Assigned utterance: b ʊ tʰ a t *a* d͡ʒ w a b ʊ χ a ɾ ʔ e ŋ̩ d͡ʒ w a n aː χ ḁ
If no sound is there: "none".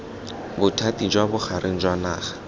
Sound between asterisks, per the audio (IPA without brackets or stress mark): i